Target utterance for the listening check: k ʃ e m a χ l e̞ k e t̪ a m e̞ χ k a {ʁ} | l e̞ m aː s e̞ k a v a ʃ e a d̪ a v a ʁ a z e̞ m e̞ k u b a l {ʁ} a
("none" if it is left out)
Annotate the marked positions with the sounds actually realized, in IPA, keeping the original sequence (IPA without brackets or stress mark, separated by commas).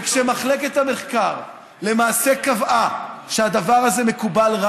ʁ, ʁ